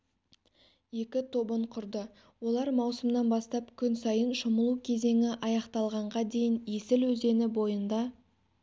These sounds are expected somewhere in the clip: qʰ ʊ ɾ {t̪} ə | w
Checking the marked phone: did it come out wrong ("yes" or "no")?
yes